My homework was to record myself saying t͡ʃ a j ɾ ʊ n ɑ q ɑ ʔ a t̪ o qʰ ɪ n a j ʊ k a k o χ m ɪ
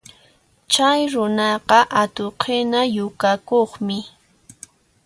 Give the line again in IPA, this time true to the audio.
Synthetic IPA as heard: t͡ʃ a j ɾ ʊ n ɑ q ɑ ʔ a t̪ o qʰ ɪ n a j ʊ k a k o χ m ɪ